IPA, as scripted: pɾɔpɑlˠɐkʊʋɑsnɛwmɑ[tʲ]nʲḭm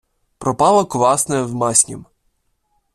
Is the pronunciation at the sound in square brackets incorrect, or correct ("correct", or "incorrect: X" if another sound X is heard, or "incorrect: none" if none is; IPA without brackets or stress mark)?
incorrect: sʲ